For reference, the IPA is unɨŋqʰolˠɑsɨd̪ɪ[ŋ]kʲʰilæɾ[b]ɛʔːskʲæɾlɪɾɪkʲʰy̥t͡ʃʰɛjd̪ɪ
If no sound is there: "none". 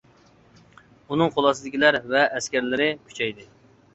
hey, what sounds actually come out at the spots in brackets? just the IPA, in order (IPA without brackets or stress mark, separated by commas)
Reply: none, v